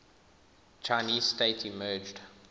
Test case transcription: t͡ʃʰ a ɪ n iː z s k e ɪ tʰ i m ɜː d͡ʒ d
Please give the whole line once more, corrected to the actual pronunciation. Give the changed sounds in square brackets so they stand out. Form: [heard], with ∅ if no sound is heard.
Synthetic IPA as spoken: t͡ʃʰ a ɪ n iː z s [t] e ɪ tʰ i m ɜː d͡ʒ d